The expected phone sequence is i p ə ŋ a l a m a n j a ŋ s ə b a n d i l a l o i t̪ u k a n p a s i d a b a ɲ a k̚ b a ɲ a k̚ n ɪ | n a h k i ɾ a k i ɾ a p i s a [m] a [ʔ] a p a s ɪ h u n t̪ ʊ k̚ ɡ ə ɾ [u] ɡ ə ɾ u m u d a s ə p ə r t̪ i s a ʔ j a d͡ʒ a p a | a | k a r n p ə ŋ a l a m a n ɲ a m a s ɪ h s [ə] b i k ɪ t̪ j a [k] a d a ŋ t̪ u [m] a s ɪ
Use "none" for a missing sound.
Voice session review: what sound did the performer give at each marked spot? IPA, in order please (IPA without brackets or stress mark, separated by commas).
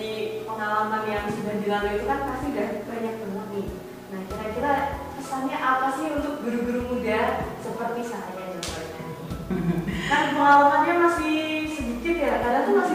ɲ, ʔ, u, ə, k, m